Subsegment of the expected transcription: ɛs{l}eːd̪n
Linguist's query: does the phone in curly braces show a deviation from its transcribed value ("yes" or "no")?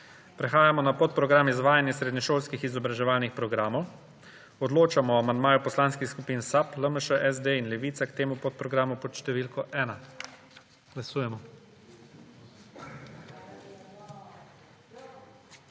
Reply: yes